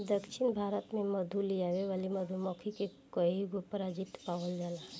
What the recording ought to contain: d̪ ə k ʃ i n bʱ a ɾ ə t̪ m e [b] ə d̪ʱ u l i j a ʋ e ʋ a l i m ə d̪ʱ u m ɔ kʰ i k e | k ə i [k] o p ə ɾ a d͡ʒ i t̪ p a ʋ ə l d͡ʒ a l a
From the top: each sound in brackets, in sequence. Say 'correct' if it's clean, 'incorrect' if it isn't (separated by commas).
incorrect, incorrect